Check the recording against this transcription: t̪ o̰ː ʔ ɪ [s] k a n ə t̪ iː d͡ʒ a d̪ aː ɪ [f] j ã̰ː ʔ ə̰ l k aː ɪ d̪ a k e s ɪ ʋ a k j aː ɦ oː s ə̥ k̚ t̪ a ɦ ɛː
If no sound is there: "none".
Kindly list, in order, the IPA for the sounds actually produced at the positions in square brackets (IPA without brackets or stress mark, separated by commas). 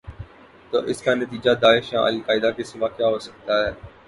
s, ʃ